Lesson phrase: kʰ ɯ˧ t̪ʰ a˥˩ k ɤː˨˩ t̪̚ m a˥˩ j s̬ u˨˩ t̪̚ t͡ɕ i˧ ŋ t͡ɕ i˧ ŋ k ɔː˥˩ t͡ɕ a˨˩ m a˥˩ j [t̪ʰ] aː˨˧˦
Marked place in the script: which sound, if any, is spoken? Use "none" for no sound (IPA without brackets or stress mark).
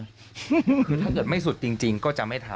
t̪ʰ